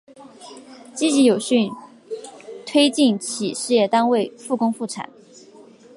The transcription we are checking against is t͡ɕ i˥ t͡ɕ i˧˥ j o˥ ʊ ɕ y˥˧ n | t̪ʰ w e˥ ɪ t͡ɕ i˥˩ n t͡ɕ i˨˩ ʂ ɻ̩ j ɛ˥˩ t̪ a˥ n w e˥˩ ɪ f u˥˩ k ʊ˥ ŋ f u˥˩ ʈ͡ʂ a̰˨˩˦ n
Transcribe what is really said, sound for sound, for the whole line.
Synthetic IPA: t͡ɕ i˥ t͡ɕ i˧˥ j o˨˩ ʊ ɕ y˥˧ n | t̪ʰ w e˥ ɪ t͡ɕ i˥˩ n t͡ɕʰ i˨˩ ʂ ɻ̩ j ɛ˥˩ t̪ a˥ n w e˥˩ ɪ f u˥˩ k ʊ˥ ŋ f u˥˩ ʈ͡ʂʰ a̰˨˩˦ n